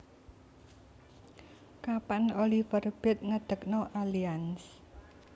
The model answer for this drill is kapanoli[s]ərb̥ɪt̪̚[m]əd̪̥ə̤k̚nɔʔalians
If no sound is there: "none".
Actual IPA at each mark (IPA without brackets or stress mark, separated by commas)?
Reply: f, ŋ